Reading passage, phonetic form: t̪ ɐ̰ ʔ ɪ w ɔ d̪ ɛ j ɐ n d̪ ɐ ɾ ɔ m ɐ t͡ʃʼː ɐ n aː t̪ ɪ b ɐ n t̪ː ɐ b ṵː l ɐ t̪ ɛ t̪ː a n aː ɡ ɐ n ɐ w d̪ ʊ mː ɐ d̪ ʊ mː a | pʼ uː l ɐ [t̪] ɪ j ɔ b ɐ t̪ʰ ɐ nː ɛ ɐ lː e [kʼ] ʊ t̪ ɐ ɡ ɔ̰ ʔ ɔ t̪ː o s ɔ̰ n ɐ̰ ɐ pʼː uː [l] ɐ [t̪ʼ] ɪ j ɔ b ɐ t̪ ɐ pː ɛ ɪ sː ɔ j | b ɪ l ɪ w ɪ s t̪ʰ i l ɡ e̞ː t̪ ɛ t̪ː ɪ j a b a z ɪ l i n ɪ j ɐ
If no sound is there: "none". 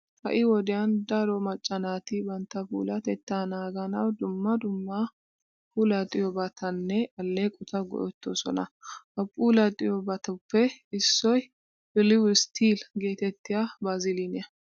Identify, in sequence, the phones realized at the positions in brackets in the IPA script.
t̪ʼ, kʼ, l, t̪ʼ

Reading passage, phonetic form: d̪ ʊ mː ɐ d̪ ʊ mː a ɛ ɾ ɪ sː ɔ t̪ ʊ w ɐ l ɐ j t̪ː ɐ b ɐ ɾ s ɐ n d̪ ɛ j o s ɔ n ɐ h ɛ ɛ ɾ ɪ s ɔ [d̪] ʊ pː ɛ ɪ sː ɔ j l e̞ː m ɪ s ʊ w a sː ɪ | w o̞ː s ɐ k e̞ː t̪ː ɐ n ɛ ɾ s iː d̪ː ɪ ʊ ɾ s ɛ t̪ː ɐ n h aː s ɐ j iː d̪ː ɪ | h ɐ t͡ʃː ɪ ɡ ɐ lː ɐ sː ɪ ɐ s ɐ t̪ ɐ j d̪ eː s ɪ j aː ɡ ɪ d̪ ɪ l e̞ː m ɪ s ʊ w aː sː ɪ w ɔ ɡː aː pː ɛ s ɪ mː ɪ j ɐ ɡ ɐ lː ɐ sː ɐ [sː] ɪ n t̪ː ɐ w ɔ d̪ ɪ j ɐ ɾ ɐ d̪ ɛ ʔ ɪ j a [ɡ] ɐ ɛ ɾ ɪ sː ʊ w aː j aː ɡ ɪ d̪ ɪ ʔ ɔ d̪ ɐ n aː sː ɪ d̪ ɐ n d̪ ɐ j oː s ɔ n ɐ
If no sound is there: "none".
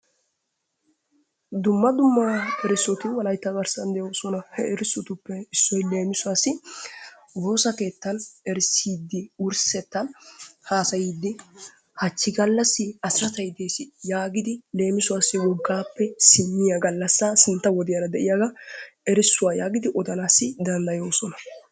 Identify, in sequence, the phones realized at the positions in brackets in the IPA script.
t̪, s, ɡ

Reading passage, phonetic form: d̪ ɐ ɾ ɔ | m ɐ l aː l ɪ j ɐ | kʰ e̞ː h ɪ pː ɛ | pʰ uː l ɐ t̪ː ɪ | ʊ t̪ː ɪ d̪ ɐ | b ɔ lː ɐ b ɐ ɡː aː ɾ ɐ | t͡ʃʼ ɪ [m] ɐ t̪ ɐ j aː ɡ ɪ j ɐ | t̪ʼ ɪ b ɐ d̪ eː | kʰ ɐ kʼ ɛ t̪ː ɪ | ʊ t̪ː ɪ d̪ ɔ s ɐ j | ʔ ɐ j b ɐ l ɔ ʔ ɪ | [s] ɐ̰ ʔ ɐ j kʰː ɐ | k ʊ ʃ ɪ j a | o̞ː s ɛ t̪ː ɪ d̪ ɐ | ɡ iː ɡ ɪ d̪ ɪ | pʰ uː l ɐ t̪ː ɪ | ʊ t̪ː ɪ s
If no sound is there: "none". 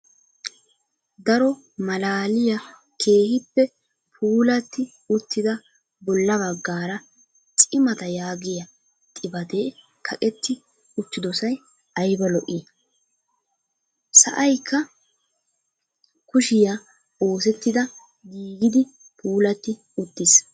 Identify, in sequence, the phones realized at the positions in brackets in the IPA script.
m, s

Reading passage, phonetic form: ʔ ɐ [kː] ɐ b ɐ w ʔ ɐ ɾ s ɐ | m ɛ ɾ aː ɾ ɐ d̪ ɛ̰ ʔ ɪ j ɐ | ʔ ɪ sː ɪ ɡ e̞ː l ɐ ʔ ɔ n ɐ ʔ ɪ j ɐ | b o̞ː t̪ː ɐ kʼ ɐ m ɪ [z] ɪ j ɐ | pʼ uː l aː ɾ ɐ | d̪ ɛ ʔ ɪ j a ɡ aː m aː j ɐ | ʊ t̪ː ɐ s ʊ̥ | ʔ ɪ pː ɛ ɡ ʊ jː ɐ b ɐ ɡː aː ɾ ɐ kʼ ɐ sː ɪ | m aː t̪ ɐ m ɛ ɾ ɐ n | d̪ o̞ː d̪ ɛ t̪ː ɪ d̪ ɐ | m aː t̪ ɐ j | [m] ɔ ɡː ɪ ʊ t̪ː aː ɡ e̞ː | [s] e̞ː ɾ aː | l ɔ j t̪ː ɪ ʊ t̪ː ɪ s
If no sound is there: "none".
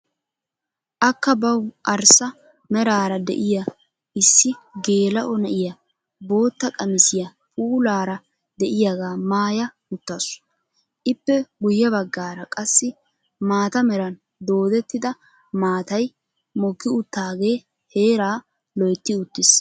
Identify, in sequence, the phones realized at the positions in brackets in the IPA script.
kː, s, m, h

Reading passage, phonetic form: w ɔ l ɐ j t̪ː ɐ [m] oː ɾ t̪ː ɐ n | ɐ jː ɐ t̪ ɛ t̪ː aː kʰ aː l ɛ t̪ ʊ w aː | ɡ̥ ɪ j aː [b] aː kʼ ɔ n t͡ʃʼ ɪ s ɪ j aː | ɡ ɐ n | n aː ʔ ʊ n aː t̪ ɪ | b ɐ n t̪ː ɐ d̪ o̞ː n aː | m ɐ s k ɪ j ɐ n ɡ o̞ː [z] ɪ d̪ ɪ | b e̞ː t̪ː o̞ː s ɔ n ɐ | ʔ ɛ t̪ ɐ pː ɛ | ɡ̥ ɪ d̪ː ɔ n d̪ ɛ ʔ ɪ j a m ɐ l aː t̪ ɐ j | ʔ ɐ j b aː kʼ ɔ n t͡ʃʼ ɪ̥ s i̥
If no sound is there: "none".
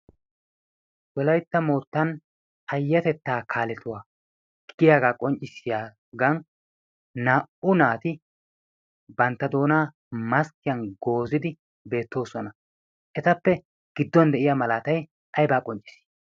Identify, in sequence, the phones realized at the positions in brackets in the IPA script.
m, ɡ, z

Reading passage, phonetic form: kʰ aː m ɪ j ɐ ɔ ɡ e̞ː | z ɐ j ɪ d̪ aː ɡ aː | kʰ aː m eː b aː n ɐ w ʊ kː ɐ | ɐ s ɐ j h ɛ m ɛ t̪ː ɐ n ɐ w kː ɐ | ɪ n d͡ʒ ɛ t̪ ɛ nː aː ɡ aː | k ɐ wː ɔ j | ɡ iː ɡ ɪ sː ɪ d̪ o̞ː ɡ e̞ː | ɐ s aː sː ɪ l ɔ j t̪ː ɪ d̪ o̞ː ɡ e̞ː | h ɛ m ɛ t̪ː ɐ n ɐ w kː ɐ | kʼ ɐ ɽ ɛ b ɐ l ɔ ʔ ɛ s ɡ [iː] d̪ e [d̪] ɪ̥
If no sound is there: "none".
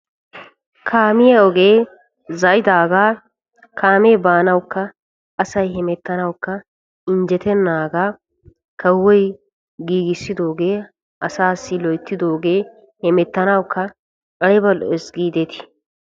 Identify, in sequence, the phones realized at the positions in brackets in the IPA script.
iː, t̪

